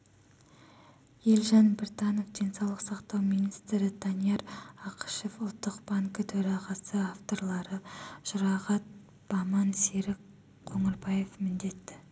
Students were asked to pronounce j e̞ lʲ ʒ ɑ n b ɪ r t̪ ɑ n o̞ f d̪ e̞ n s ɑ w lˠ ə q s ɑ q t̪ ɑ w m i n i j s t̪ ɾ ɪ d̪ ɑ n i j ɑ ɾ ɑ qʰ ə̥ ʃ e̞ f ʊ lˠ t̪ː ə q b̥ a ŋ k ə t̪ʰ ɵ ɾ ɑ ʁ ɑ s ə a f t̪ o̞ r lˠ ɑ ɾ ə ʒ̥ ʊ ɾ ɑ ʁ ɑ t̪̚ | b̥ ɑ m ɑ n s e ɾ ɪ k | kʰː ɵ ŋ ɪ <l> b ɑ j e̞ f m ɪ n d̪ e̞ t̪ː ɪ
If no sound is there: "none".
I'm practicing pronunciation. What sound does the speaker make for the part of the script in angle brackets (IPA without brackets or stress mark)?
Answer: ɾ